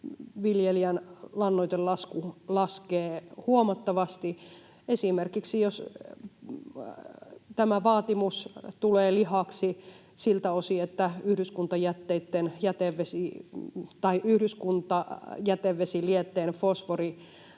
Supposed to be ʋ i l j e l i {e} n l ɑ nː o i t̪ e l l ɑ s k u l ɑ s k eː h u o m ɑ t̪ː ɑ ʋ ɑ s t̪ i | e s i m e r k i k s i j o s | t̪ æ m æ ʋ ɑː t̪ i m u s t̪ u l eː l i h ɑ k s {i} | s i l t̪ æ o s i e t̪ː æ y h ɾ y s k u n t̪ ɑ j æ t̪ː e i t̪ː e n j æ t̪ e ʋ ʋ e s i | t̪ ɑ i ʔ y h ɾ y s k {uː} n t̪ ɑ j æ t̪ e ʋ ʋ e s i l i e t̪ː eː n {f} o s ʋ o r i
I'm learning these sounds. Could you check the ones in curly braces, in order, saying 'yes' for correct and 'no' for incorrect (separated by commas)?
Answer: no, yes, no, yes